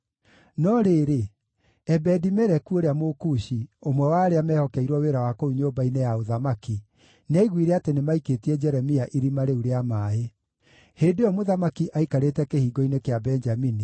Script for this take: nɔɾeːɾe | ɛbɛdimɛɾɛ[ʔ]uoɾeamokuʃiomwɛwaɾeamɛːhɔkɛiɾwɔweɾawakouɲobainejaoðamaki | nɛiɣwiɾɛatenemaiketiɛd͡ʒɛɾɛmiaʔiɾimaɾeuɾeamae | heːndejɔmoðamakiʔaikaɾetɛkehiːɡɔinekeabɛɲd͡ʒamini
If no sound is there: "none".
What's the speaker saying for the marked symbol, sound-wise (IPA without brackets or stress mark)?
k